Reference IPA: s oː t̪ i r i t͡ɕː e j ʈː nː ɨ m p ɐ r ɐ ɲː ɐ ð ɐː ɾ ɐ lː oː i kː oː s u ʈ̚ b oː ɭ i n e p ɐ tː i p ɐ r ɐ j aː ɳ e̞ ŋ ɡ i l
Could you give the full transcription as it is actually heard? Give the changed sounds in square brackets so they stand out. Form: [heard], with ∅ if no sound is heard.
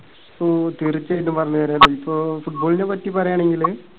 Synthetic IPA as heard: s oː t̪ i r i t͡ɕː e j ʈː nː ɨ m p ɐ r ɐ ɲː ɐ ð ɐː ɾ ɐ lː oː i [pː] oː [f] u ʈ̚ b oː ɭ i n e p ɐ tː i p ɐ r ɐ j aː ɳ e̞ ŋ ɡ i l